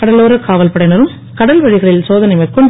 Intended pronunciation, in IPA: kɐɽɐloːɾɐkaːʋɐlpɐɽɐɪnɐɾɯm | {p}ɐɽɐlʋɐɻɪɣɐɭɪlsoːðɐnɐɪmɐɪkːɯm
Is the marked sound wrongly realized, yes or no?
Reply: yes